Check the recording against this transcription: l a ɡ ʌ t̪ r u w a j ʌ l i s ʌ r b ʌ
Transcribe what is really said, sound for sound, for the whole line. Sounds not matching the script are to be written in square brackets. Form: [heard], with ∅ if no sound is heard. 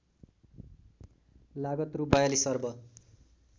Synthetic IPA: l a ɡ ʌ t̪ r u [b] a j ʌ l i s ʌ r b ʌ